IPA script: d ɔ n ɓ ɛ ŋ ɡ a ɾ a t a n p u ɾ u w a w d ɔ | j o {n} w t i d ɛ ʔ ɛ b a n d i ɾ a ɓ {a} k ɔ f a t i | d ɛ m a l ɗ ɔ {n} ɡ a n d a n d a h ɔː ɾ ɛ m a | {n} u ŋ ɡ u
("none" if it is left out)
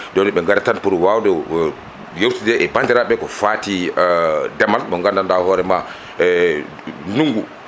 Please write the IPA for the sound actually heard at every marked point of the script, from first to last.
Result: none, ɛ, ŋ, n

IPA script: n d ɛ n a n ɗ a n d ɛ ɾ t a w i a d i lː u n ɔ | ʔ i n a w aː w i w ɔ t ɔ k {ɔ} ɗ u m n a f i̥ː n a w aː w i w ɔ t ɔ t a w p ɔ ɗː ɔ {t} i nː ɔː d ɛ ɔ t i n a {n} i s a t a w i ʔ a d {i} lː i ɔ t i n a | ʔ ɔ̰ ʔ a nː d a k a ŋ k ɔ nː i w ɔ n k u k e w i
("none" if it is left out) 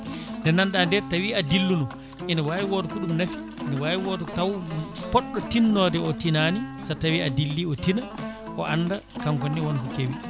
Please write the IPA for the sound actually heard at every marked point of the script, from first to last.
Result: u, t, n, i

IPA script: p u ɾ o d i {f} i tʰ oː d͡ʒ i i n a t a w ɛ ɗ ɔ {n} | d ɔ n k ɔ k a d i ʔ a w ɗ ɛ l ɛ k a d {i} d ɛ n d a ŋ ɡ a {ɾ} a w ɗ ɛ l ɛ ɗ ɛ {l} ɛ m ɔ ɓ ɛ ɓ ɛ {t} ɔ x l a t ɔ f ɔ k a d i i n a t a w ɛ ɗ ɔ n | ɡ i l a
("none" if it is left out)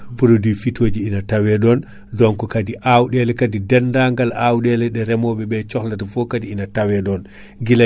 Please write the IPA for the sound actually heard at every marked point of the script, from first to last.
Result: f, n, i, l, ɾ, t͡ʃ

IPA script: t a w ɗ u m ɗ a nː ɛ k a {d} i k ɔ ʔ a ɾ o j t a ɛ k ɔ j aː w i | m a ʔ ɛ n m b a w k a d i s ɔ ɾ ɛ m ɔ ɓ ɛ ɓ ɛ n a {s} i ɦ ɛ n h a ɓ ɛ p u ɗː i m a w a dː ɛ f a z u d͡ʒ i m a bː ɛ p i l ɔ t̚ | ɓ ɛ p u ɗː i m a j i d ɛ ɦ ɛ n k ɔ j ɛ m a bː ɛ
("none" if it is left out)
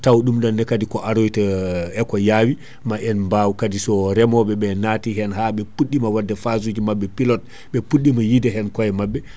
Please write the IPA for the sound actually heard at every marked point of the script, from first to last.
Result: d, t

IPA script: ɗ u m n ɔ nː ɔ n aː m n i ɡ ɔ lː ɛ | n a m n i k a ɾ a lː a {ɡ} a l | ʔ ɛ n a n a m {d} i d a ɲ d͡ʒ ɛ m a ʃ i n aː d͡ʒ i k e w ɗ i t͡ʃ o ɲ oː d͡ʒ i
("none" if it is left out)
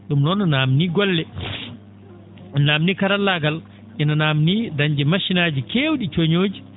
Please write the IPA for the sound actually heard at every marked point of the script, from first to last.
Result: ɡ, n

